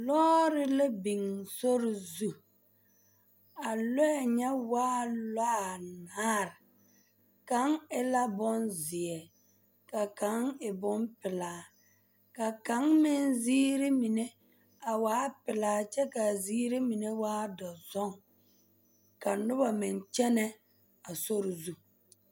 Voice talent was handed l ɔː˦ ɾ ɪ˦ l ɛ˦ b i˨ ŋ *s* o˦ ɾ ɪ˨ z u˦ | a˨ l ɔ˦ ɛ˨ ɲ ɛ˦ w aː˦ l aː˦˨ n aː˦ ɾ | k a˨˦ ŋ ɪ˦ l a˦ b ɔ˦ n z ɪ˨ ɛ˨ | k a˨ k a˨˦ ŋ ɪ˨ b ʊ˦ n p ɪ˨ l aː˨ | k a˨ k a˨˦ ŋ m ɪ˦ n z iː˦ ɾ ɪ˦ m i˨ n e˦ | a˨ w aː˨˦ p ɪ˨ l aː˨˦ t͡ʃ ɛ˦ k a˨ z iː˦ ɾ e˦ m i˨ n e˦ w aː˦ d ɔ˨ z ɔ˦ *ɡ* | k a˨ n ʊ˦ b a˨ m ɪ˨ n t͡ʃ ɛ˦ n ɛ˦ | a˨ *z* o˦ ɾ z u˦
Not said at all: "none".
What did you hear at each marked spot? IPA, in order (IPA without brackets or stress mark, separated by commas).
s, ŋ, s